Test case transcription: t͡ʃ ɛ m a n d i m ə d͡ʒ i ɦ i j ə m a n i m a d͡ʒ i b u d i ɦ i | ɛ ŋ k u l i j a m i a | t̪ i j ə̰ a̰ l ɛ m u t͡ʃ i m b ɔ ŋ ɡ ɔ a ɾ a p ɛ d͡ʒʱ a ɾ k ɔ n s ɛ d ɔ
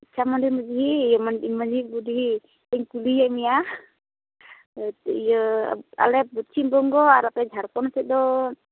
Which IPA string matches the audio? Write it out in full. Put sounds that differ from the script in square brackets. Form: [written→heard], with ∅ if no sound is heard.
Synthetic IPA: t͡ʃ [ɛ→a] m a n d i m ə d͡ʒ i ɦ i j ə m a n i m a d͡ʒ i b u d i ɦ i | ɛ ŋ k u l i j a m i a | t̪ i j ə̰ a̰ l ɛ [m→b] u t͡ʃ i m b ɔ ŋ ɡ ɔ a ɾ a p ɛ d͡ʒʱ a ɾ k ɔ n s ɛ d ɔ